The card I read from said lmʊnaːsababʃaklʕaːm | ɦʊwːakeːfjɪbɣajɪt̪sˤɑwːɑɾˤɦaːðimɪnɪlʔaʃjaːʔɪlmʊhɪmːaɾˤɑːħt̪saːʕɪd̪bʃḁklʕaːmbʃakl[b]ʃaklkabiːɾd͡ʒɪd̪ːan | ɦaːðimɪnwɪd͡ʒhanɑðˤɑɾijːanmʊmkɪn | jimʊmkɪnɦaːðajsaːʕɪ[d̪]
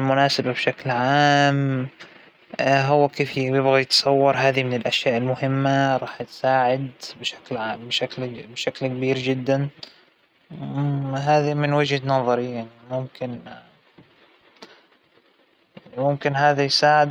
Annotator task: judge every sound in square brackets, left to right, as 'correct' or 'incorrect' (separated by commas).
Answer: correct, correct